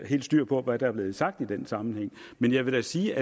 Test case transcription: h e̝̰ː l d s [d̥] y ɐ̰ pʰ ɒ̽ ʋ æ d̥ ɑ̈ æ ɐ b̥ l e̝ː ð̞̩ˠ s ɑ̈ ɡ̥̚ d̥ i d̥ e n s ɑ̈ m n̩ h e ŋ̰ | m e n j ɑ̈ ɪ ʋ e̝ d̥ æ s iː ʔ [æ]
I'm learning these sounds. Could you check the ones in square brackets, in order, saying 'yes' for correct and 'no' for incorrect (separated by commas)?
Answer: yes, yes